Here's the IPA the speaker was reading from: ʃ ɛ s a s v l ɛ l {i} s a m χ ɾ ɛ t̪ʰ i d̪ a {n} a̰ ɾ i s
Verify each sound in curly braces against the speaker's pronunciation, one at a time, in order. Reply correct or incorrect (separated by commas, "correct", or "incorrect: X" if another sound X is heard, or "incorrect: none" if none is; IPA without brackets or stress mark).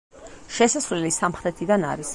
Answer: correct, correct